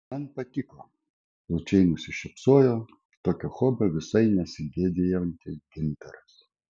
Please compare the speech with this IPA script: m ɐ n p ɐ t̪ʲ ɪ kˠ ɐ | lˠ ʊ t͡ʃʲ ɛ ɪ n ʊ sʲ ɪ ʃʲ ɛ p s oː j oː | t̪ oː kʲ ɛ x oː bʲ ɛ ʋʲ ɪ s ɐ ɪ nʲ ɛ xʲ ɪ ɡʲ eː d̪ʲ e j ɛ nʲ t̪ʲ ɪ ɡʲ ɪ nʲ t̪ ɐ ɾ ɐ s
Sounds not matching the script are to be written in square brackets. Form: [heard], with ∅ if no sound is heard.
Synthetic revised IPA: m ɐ n p ɐ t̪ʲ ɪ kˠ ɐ | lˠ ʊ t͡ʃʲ ɛ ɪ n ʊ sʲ ɪ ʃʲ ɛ p s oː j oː | t̪ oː kʲ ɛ x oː bʲ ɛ ʋʲ ɪ s ɐ ɪ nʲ ɛ [sʲ] ɪ ɡʲ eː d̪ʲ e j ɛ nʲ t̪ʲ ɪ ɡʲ ɪ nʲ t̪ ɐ ɾ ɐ s